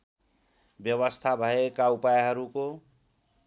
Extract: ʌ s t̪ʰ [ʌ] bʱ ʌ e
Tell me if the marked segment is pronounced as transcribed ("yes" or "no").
no